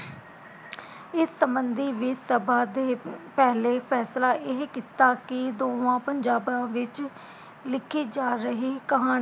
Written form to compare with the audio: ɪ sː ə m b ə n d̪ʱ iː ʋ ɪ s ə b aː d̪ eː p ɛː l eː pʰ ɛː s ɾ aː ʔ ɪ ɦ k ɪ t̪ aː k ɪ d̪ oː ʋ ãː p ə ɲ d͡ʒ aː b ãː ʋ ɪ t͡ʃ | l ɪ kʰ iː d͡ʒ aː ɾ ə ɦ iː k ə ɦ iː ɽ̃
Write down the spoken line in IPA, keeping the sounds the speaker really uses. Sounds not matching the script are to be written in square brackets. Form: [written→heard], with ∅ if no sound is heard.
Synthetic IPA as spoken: ɪ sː ə m b ə n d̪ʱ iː ʋ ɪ s ə b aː d̪ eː p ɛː l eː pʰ ɛː s [ɾ→l] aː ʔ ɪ ɦ k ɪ t̪ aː k ɪ d̪ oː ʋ ãː p ə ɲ d͡ʒ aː b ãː ʋ ɪ t͡ʃ | l ɪ kʰ iː d͡ʒ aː ɾ ə ɦ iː k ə ɦ [iː→aː] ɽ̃